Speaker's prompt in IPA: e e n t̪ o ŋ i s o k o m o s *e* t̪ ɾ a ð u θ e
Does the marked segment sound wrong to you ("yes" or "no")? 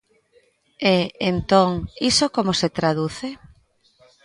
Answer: no